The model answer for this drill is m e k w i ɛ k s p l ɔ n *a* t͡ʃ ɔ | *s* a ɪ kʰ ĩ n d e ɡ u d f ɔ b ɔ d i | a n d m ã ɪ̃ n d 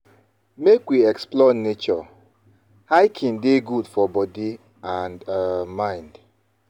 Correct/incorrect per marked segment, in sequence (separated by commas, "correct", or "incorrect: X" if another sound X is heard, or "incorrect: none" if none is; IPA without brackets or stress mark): incorrect: e, incorrect: h